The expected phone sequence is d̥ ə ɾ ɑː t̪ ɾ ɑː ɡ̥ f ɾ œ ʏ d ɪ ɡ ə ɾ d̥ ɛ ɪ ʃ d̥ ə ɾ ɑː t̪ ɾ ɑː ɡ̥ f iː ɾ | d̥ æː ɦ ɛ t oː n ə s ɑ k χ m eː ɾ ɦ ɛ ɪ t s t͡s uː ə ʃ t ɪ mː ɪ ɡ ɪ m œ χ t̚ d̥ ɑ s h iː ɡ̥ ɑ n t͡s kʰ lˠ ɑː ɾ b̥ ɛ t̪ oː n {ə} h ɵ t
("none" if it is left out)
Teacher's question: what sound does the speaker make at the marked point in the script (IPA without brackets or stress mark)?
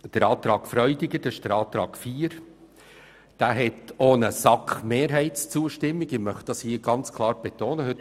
ə